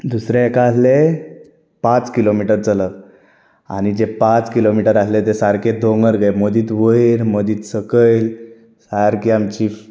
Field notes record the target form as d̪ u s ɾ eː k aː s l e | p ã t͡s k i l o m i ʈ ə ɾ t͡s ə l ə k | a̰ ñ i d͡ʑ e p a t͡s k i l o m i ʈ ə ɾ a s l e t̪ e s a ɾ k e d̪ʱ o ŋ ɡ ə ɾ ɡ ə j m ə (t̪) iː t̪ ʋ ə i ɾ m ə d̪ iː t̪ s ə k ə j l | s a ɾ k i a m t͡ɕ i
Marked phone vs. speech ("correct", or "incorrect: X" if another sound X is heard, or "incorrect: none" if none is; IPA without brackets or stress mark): incorrect: d̪